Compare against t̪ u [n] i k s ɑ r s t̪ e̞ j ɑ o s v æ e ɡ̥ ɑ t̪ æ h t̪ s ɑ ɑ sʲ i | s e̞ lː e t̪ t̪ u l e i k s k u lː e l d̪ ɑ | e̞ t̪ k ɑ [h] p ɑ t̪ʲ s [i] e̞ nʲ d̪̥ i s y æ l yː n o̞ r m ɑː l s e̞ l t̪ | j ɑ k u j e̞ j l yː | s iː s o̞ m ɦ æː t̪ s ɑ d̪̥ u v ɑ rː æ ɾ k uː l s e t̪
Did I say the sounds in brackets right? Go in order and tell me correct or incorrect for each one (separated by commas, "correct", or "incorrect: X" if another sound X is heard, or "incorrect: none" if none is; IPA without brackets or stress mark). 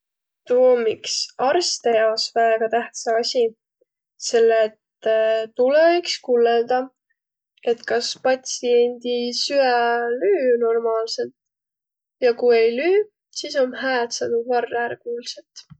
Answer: incorrect: m, incorrect: s, correct